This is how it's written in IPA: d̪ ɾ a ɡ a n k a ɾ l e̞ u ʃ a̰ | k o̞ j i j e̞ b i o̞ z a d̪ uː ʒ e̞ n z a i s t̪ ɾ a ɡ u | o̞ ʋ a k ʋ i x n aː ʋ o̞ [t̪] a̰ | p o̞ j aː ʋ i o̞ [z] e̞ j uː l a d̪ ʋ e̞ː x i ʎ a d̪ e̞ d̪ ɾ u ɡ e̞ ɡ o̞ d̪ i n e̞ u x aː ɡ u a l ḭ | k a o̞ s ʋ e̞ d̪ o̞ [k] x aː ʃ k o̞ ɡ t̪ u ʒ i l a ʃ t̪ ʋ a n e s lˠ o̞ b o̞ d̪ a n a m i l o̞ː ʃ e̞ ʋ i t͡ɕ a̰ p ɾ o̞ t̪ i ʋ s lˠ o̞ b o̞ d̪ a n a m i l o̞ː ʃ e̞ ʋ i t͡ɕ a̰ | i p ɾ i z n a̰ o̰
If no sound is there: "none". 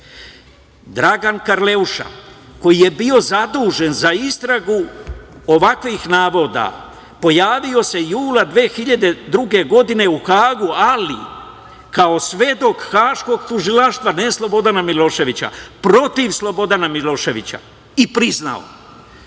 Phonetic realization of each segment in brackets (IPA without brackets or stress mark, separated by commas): d̪, s, k